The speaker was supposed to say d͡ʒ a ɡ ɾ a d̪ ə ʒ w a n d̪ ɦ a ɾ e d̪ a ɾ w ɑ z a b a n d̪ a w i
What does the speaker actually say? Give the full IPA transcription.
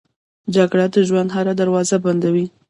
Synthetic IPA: d͡ʒ a ɡ ɽ a d̪ ə ʒ w a n d̪ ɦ a ɾ a d̪ a ɾ w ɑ z a b a n d̪ a w i